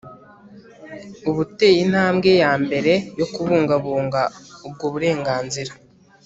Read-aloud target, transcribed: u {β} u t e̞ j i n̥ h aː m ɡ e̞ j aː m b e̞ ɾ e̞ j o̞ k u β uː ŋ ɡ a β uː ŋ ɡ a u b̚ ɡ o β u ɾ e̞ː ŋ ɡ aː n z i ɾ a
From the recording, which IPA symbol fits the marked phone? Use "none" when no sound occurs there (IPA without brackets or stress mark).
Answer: β